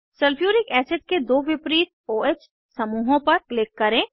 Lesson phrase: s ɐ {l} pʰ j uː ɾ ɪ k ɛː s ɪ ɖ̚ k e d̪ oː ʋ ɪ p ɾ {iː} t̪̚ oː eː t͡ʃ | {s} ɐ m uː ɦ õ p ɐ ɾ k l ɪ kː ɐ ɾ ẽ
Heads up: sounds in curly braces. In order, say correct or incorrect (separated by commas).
correct, correct, correct